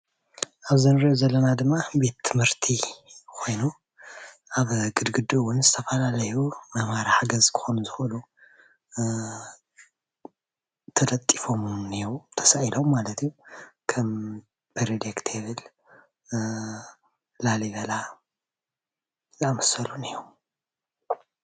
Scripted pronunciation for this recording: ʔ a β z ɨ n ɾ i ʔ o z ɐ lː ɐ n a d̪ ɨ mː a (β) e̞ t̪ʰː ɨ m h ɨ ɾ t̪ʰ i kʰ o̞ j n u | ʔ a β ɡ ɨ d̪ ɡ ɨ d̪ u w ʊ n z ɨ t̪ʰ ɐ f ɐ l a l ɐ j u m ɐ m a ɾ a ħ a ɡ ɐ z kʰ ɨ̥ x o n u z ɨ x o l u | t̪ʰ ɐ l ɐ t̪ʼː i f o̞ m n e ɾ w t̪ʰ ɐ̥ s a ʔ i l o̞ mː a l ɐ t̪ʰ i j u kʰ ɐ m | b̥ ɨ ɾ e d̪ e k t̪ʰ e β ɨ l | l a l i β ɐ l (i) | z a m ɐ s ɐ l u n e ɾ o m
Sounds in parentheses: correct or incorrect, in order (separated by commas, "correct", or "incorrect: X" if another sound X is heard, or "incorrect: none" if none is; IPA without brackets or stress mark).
incorrect: b, incorrect: a